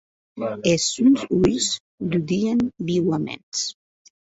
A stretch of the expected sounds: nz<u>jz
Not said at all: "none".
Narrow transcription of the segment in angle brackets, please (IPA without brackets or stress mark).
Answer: u